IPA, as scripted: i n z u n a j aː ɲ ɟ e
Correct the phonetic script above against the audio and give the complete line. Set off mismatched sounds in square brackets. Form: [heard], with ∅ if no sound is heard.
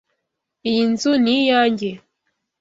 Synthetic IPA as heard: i n z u n [i] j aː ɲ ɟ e

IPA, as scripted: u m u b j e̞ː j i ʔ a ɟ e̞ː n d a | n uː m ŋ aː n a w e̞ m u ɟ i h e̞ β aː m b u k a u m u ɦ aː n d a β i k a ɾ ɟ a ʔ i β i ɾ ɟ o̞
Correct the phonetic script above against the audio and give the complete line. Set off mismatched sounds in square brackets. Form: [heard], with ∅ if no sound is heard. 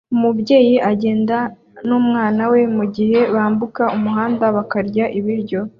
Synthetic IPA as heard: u m u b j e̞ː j i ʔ a ɟ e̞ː n d a | n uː m ŋ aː n a w e̞ m u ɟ i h e̞ β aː m b u k a u m u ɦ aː n d a β [a] k a ɾ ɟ a ʔ i β i ɾ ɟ o̞

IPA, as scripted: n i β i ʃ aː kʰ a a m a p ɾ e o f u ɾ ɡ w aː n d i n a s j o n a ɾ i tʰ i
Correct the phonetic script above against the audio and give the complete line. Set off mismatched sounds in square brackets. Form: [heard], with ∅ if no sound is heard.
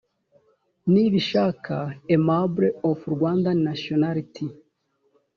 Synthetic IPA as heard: n i β i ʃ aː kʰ a [e] m a [b] ɾ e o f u ɾ ɡ w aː n d [a] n a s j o n a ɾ i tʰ i

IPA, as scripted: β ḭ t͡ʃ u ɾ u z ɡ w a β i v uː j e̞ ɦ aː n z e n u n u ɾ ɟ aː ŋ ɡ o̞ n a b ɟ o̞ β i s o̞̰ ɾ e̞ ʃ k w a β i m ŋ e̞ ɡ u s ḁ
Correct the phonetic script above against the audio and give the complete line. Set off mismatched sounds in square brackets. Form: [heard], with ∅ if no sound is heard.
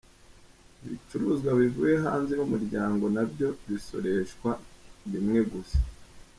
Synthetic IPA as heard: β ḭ t͡ʃ u ɾ u z ɡ w a β i v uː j e̞ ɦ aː n z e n u [m] u ɾ ɟ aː ŋ ɡ o̞ n a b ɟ o̞ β i s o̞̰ ɾ e̞ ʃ k w a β i m ŋ e̞ ɡ u s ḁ

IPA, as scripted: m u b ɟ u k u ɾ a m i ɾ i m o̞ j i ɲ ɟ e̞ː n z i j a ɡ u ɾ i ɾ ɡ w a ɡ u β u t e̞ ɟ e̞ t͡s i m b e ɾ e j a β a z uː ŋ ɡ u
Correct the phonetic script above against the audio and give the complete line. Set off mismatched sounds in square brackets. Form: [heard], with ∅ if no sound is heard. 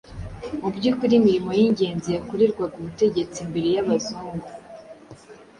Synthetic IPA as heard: m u b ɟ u k u ɾ [i] m i ɾ i m o̞ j i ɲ ɟ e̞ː n z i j a [k] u ɾ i ɾ ɡ w a ɡ u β u t e̞ ɟ e̞ t͡s i m b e ɾ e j a β a z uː ŋ ɡ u

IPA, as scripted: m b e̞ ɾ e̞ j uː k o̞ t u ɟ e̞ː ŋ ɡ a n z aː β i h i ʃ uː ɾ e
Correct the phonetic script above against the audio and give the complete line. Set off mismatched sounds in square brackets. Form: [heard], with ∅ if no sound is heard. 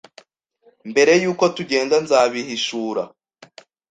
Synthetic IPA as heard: m b e̞ ɾ e̞ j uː k o̞ t u ɟ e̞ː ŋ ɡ a n z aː β i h i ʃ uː ɾ [a]

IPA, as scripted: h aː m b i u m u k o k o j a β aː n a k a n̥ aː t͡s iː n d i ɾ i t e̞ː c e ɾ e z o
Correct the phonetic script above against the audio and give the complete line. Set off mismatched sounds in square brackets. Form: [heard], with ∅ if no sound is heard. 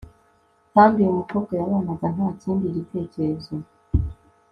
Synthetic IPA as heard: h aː m b i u m u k o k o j a β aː n a [ɡ] a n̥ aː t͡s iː n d i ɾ i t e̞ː c e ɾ e z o

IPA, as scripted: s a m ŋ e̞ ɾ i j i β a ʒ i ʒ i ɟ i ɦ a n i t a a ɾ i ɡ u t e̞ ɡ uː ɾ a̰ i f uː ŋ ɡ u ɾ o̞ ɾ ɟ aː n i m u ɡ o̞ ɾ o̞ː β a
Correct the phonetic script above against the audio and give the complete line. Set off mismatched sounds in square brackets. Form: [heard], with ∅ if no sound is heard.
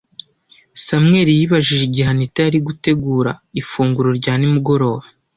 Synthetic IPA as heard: s a m ŋ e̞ ɾ i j i β a ʒ i ʒ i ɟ i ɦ a n i t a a ɾ i ɡ u t e̞ ɡ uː ɾ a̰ i f uː ŋ ɡ u ɾ o̞ ɾ ɟ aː n i m u ɡ o̞ ɾ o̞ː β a

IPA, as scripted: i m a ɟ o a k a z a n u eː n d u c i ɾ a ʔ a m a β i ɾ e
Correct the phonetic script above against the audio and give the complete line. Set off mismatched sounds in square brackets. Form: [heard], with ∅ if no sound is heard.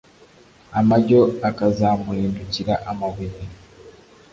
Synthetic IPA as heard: [a] m a ɟ o a k a z a [m] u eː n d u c i ɾ a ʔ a m a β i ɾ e

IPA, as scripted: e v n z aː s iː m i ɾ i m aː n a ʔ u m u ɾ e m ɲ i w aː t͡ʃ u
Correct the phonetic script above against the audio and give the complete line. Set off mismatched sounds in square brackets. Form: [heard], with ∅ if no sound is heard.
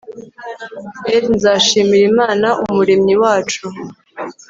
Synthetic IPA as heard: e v n z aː [ʃ] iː m i ɾ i m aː n a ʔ u m u ɾ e m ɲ i w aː t͡ʃ u

